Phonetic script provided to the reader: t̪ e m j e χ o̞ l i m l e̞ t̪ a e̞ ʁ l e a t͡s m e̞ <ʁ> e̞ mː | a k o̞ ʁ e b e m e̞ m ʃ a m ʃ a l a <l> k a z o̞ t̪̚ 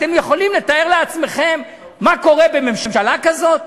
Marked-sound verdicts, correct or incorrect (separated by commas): incorrect, incorrect